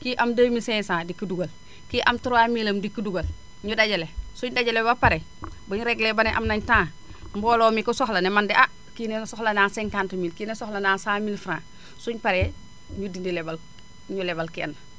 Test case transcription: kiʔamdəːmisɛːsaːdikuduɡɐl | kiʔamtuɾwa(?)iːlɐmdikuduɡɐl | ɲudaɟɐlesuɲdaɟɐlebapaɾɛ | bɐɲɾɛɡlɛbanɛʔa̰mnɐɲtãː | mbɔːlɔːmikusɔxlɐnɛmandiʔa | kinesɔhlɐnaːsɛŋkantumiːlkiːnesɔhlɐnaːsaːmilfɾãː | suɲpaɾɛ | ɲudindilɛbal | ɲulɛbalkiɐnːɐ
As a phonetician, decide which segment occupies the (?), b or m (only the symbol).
m